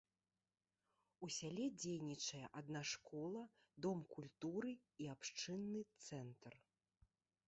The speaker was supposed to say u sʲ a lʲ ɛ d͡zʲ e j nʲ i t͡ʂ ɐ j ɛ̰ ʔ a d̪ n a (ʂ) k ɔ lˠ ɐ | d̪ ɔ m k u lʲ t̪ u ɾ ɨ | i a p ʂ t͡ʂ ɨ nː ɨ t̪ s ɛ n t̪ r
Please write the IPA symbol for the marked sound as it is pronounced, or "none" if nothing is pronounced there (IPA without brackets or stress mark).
ʂ